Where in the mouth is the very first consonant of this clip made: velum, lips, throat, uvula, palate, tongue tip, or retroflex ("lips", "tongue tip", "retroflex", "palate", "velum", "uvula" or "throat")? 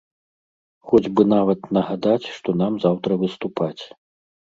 velum